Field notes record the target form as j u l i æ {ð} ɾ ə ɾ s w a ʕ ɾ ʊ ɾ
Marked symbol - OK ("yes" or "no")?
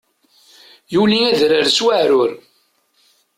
yes